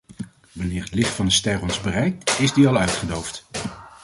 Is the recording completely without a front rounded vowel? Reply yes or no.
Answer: no